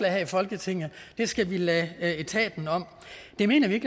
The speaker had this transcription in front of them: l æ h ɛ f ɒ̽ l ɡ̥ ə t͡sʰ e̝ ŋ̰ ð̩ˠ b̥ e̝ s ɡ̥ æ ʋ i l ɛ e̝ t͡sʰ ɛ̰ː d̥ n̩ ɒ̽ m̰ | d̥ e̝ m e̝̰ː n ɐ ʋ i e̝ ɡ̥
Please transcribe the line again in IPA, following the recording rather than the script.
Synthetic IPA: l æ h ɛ f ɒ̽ l ɡ̥ ə t͡sʰ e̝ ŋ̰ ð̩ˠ d̥ e̝ s ɡ̥ æ ʋ i l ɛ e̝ t͡sʰ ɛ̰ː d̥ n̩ ɒ̽ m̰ | d̥ e̝ m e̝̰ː n ɐ ʋ i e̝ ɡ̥